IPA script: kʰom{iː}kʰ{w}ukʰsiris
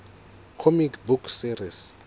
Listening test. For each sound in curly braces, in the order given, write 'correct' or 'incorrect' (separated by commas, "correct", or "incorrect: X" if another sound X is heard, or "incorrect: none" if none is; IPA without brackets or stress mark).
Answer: incorrect: i, incorrect: b